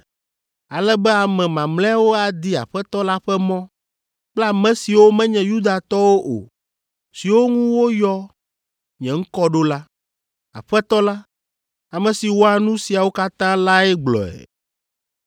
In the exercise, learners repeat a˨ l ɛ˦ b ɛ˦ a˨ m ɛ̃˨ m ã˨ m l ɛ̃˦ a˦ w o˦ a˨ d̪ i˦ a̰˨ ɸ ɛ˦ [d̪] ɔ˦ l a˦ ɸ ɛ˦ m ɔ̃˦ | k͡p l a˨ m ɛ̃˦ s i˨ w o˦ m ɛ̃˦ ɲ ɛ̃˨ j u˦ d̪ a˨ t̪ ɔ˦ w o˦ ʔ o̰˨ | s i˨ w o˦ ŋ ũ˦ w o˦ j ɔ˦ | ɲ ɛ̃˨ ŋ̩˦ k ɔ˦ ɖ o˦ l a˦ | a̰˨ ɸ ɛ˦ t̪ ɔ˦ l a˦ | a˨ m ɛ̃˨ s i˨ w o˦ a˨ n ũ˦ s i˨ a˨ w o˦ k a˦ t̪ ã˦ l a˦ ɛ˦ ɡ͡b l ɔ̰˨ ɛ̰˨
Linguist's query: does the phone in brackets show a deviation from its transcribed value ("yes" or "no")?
yes